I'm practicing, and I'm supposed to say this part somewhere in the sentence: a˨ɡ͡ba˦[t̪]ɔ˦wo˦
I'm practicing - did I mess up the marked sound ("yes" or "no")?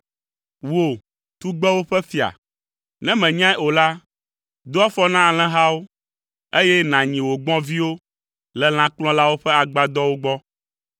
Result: yes